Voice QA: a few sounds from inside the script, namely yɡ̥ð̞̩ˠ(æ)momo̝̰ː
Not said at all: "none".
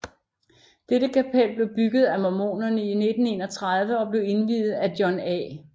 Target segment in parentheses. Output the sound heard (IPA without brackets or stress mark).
æ